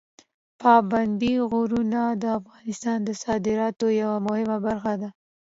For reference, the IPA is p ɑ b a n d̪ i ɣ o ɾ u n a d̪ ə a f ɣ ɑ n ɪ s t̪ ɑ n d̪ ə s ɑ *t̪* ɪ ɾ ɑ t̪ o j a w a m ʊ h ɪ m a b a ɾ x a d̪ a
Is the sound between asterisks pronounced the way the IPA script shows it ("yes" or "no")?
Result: no